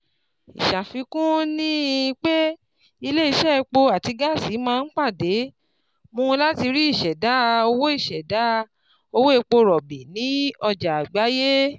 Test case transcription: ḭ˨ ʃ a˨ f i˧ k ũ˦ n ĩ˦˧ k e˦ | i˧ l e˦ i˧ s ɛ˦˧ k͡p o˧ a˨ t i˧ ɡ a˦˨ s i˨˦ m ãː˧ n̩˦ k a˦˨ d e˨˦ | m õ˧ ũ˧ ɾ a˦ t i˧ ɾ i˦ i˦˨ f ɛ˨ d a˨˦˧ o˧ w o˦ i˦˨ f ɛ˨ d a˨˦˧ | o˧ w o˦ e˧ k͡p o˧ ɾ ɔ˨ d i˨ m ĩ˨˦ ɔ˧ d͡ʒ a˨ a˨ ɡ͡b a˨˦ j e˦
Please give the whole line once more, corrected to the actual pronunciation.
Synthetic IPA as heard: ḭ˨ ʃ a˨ f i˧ k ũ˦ n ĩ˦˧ k͡p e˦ | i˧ l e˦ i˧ ʃ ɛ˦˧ k͡p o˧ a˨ t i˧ ɡ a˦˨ s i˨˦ m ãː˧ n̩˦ k͡p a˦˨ d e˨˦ | m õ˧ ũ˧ l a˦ t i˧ ɾ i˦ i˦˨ ʃ ɛ˨ d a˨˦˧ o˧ w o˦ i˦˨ ʃ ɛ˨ d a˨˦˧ | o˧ w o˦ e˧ k͡p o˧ ɾ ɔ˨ b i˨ n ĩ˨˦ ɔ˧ d͡ʒ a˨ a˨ ɡ͡b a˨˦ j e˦